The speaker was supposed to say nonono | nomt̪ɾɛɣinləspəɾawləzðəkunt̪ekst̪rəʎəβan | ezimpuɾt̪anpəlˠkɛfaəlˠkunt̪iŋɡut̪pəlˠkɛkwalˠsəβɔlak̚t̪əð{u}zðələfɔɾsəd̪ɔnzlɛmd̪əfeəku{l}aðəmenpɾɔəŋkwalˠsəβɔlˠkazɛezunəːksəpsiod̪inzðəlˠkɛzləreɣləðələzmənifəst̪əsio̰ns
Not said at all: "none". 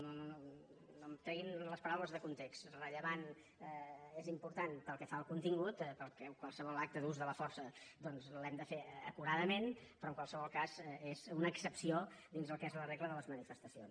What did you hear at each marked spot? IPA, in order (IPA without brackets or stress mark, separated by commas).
u, ɾ